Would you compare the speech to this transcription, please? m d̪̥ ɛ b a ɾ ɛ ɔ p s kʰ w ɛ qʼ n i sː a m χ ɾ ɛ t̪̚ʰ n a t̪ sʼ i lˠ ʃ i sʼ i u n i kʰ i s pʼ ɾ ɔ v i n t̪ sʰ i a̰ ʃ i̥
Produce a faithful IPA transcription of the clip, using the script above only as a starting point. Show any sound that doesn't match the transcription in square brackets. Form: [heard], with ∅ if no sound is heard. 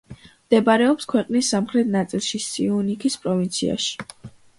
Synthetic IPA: m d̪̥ ɛ b a ɾ ɛ ɔ p s kʰ w ɛ qʼ n i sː a m χ ɾ ɛ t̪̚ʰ n a t̪ sʼ i lˠ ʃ i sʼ i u n i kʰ i s pʼ ɾ ɔ v i n t̪ sʰ i a̰ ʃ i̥